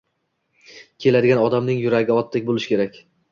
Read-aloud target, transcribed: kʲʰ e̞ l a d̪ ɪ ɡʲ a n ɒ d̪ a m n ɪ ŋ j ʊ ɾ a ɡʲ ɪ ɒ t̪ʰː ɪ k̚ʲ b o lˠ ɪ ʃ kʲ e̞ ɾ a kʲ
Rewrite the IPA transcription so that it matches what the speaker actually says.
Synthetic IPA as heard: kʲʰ e̞ l a d̪ ɪ ɡʲ a n ɒ d̪ a m n ɪ ŋ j ʊ ɾ a ɡʲ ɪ ɒ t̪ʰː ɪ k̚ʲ b o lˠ ɪ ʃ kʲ e̞ ɾ a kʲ